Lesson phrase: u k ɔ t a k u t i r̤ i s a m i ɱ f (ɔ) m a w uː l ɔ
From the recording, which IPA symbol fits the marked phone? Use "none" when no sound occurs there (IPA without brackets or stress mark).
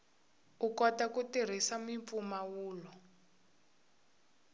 u